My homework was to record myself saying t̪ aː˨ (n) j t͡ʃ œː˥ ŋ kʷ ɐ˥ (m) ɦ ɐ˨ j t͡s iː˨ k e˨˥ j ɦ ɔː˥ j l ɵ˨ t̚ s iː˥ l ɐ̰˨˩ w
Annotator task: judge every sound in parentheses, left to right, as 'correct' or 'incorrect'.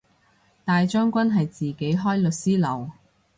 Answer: incorrect: none, incorrect: n

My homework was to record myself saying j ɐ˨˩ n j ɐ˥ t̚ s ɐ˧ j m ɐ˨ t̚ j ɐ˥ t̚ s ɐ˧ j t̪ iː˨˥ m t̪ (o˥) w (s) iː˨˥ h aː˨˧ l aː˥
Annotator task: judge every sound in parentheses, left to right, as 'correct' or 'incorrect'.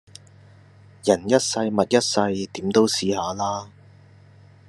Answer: correct, correct

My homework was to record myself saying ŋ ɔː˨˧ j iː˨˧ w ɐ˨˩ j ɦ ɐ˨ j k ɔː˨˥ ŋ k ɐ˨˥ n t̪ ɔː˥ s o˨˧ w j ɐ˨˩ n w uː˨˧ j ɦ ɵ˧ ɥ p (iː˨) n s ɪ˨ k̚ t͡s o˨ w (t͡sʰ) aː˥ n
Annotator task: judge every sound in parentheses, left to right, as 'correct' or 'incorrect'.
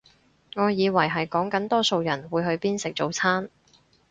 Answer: incorrect: iː˥, correct

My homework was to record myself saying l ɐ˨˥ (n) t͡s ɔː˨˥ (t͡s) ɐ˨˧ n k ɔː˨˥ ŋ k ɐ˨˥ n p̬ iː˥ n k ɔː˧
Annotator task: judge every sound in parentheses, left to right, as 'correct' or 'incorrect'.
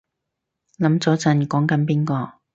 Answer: incorrect: m, correct

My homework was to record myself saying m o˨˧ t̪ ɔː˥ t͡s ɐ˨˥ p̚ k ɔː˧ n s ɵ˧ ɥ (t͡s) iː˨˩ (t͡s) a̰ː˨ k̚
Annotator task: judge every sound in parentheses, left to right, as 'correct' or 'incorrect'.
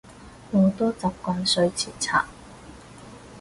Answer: incorrect: t͡sʰ, incorrect: t͡sʰ

